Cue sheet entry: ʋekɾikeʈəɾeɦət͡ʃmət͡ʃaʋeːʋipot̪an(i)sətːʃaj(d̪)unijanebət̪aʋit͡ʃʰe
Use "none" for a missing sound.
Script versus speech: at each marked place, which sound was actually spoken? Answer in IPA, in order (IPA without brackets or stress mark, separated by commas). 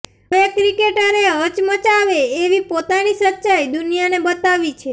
i, d̪